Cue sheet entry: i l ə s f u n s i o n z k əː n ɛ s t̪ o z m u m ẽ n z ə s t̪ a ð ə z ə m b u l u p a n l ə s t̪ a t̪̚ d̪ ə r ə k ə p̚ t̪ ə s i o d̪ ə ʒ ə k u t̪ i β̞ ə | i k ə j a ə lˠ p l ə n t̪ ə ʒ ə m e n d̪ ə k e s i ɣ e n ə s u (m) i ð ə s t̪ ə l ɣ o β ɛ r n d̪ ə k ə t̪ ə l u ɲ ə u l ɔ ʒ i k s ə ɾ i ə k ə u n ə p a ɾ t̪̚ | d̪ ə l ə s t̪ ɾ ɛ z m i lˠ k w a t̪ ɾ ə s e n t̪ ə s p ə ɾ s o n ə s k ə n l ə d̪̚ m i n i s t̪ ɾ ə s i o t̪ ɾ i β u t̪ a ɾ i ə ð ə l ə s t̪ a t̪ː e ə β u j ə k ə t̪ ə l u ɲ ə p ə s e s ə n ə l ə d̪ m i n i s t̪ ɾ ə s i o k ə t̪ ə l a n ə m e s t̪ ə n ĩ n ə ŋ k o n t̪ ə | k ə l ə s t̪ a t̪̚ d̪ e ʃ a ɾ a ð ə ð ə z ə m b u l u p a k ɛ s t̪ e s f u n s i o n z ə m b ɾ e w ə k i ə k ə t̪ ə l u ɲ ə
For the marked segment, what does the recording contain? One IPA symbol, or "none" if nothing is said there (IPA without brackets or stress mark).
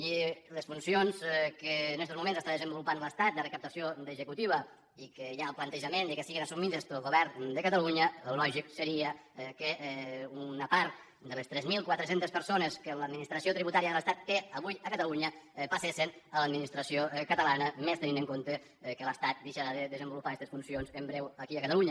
m